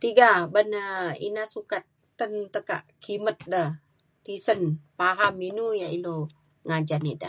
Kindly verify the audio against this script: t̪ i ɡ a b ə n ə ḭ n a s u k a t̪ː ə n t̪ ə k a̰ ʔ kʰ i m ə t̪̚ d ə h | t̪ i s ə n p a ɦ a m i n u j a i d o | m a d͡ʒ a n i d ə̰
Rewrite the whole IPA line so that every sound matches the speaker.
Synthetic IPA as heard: t̪ i ɡ a b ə n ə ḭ n a s u k a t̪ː ə n t̪ ə k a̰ ʔ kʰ i m ə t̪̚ d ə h | t̪ i s ə n p a ɦ a m i n u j a i n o | ŋ a d͡ʒ a n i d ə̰